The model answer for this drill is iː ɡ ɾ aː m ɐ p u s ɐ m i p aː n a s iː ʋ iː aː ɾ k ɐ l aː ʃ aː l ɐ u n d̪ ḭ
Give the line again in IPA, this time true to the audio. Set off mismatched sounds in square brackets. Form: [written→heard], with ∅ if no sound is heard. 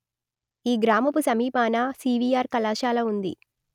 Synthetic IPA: iː ɡ ɾ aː m ɐ p u s ɐ m [i→iː] p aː n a s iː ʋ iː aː ɾ k ɐ l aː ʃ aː l ɐ u n d̪ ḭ